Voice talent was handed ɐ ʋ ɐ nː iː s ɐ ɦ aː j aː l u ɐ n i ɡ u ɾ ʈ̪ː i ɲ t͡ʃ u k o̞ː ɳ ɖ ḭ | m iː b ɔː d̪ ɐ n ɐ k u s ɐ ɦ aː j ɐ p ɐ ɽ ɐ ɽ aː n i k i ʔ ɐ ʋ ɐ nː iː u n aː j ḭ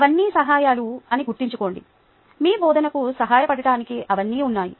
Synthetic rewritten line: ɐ ʋ ɐ nː iː s ɐ ɦ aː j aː l u ɐ n i ɡ u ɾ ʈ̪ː i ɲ t͡ʃ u k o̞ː ɳ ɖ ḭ | m iː b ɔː d̪ ɐ n ɐ k u s ɐ ɦ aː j ɐ p ɐ ɽ ɐ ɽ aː n i k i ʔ ɐ ʋ ɐ nː iː u nː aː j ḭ